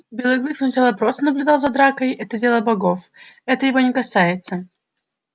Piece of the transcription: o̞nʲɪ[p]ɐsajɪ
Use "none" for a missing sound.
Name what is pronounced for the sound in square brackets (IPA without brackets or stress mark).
k